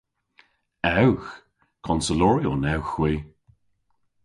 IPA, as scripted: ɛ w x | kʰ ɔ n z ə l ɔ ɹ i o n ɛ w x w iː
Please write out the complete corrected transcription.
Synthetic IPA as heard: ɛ w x | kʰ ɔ n s ə l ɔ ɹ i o n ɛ w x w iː